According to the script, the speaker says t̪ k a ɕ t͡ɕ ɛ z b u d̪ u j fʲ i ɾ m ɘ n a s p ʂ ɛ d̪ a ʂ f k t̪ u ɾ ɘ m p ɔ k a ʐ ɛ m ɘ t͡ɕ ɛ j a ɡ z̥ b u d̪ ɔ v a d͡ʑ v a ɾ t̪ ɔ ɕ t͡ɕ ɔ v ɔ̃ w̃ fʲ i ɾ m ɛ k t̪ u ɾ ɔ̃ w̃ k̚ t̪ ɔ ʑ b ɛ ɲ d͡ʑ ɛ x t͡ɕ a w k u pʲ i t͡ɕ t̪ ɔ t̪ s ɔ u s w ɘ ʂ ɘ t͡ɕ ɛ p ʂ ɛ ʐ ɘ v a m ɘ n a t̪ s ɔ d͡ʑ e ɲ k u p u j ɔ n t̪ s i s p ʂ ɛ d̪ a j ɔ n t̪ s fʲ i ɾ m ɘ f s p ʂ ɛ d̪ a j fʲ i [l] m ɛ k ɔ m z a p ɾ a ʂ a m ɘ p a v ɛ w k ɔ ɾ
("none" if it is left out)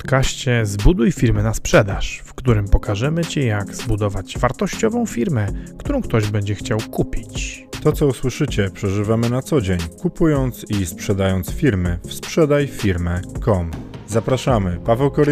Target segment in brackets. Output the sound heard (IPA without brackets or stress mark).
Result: ɾ